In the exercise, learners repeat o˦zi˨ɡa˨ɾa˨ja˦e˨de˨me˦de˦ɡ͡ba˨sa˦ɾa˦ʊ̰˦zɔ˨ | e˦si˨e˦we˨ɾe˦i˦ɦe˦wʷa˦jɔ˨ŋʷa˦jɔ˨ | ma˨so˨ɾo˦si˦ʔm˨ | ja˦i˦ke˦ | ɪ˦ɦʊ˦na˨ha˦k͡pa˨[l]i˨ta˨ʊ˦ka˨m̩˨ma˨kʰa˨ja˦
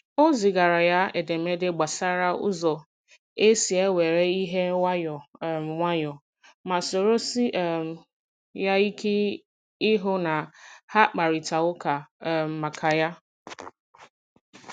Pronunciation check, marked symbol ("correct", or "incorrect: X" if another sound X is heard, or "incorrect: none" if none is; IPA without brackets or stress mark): incorrect: ɾ